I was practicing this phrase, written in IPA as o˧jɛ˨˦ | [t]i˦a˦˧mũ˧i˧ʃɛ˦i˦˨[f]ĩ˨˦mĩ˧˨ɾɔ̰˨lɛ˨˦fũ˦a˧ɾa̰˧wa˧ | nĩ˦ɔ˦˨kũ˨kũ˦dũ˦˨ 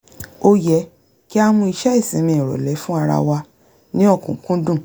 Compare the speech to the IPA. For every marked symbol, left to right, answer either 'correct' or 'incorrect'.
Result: incorrect, incorrect

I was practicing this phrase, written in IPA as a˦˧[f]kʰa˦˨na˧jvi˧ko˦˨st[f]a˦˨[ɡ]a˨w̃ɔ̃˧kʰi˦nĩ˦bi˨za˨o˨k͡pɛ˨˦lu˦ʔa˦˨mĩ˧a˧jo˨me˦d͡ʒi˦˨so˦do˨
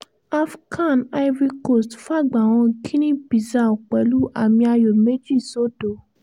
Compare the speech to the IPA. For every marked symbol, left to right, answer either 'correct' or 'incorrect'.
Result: correct, correct, incorrect

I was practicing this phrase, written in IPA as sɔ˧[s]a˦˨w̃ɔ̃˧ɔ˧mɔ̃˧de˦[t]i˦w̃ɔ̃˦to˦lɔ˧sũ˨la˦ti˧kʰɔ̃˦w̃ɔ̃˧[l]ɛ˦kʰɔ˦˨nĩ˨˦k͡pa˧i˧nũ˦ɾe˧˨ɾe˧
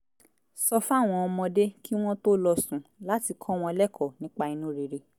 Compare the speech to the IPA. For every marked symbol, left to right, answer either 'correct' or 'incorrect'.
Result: incorrect, incorrect, correct

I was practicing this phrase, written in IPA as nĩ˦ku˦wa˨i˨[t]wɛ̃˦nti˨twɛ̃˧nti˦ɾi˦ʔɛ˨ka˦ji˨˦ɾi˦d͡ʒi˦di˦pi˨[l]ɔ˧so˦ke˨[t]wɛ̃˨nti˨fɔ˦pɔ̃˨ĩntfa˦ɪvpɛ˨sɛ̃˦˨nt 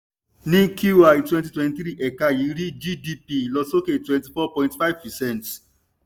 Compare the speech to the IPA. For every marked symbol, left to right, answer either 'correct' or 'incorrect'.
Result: correct, correct, correct

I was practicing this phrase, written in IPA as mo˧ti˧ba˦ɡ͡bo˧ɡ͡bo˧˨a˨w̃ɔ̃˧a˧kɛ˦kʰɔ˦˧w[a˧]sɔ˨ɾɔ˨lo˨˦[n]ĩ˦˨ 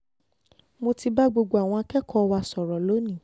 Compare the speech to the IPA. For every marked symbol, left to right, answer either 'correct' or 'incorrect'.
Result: correct, correct

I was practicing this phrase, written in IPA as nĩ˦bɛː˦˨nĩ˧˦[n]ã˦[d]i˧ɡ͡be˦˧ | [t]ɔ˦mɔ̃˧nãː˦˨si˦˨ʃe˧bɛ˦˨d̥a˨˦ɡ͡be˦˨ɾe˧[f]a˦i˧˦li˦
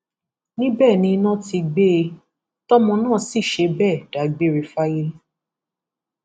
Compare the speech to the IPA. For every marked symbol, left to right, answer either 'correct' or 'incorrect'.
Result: correct, incorrect, correct, correct

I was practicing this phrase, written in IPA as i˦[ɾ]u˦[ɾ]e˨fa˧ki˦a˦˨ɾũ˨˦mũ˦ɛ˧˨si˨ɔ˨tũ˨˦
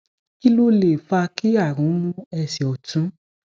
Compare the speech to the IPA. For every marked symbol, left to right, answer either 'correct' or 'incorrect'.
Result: incorrect, incorrect

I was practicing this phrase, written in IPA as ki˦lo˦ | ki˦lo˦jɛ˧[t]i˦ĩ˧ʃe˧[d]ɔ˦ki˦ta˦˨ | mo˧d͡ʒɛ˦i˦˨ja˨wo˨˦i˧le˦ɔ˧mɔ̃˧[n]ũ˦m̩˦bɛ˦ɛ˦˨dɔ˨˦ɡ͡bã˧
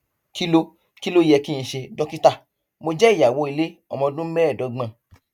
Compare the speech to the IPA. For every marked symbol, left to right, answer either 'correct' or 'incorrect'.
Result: incorrect, correct, incorrect

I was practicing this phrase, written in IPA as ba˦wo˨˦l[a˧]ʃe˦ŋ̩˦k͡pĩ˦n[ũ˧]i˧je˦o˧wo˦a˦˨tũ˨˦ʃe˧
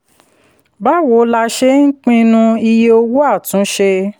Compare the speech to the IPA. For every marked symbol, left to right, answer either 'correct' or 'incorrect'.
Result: correct, correct

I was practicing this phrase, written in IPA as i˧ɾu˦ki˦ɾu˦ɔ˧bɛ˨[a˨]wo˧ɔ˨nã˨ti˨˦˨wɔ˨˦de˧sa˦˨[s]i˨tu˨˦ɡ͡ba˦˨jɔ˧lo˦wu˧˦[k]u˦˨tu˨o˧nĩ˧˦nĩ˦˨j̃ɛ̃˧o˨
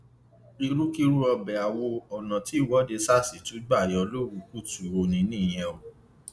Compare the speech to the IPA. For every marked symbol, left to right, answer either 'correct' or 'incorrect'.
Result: correct, correct, correct

